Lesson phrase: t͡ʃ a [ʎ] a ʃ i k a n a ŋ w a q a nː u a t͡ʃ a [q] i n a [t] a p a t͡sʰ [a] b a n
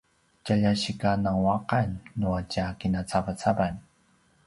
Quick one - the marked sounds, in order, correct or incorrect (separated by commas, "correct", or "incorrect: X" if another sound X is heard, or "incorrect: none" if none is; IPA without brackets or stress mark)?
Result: correct, incorrect: k, incorrect: t͡s, correct